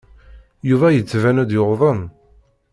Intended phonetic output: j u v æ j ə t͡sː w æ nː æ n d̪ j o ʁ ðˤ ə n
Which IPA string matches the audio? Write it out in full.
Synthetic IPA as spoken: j u v æ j ə t͡sː v æ n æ d̪ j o ʁ ðˤ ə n